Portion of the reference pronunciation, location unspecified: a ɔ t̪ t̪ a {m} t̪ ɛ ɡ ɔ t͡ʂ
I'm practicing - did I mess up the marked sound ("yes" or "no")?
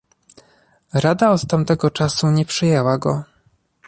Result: no